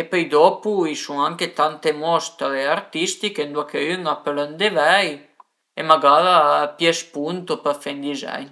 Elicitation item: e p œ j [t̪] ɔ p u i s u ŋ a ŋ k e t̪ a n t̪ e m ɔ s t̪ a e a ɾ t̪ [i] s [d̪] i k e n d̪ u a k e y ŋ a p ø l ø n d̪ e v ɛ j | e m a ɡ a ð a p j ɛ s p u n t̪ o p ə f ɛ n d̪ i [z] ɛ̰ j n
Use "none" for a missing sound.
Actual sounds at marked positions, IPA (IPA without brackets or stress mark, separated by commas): d̪, i, t̪, z